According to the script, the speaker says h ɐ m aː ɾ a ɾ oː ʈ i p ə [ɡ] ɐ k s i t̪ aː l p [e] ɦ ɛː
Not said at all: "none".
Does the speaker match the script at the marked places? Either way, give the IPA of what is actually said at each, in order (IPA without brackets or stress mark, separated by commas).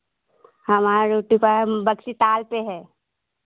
b, e